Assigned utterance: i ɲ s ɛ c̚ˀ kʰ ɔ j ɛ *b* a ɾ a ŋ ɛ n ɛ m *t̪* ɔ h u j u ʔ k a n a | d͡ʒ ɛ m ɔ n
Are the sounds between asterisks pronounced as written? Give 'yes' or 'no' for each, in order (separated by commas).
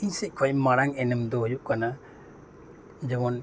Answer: no, no